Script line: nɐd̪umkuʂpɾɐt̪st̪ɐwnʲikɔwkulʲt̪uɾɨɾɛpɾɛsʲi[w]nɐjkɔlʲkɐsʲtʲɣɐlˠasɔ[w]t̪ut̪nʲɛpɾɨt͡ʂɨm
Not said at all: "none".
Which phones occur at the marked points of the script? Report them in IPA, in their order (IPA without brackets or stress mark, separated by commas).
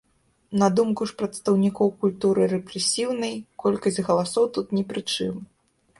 w, w